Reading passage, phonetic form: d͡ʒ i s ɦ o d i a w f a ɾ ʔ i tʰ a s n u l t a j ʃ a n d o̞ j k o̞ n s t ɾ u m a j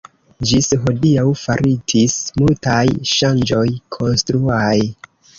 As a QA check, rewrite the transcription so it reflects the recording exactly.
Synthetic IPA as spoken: d͡ʒ i s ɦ o d i a w f a ɾ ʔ i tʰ i s m u l t a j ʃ a n d͡ʒ o̞ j kʰ o̞ n s t ɾ u a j